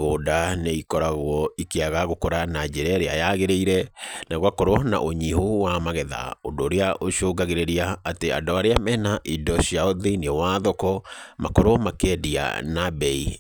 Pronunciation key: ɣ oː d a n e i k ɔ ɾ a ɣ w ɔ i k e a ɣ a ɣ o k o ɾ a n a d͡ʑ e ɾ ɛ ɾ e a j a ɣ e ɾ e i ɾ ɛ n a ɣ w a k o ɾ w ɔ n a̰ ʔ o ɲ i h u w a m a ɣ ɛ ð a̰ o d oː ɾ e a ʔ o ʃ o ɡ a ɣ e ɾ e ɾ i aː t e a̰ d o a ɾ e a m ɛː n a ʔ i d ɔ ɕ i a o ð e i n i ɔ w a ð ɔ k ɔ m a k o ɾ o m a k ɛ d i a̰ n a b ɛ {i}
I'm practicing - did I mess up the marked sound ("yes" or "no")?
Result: no